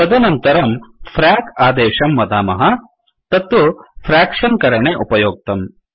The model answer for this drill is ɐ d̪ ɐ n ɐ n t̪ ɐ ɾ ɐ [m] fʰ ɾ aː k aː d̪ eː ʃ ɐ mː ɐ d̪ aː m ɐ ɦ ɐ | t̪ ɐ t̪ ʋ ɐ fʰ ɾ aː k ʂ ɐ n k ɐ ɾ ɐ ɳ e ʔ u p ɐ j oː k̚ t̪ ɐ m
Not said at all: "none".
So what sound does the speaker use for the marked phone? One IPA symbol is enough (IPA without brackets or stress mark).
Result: m